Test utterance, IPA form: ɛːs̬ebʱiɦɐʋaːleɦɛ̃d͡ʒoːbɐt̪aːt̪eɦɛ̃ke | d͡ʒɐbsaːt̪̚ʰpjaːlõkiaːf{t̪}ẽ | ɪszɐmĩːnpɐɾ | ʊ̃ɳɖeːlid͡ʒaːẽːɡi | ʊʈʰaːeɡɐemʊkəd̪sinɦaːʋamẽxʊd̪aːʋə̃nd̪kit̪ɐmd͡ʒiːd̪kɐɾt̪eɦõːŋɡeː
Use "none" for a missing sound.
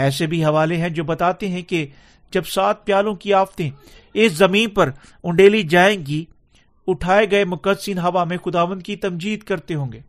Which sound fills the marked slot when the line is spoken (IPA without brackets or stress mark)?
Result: t̪